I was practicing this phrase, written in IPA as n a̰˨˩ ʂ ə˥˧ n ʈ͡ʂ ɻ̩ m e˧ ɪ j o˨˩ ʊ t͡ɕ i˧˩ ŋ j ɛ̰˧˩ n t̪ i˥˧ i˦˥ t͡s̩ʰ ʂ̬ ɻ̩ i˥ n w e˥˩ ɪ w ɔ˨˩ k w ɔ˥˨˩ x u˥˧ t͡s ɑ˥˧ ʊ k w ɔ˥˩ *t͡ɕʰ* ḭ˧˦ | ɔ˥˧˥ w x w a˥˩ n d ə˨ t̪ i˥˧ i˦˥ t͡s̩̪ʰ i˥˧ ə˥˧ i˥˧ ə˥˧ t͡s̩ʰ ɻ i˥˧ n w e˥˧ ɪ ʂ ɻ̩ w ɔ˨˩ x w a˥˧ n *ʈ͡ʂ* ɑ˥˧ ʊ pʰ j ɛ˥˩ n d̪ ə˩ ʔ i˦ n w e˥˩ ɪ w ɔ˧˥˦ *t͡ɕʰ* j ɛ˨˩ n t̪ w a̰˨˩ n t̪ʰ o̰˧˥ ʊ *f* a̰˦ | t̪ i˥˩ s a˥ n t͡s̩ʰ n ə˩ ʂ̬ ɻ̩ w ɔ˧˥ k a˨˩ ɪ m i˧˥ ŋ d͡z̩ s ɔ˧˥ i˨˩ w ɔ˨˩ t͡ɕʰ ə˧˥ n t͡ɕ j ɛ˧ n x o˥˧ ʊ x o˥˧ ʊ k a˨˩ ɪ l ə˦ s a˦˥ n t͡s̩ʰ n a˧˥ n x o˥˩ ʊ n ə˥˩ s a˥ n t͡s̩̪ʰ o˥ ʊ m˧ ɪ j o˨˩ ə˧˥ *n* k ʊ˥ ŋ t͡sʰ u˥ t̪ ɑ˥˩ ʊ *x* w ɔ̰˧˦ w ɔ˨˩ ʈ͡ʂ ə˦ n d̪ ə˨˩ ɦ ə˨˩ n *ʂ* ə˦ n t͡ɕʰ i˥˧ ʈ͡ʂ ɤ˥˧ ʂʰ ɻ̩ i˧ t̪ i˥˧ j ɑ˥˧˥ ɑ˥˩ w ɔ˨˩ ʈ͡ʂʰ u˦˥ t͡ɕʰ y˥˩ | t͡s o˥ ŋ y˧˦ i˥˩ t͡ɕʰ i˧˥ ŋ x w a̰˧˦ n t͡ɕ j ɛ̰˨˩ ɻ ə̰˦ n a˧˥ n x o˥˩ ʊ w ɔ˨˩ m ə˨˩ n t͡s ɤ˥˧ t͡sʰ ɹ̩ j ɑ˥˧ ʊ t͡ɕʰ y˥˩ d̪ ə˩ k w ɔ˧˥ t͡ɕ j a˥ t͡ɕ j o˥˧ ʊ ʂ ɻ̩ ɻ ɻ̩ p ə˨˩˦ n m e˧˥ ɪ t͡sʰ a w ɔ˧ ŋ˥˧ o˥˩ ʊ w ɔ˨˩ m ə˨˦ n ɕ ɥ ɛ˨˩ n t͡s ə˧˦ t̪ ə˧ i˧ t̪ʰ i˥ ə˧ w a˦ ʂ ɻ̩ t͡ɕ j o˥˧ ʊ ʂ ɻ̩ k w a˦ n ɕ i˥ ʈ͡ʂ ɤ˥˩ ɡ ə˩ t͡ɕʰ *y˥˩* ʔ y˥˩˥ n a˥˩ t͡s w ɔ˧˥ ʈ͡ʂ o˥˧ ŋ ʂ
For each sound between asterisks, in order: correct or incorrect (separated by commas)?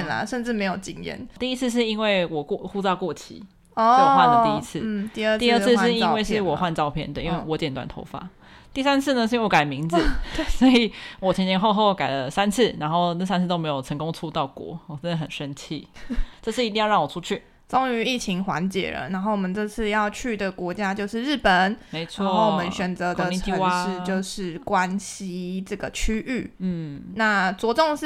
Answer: correct, correct, incorrect, correct, incorrect, incorrect, correct, incorrect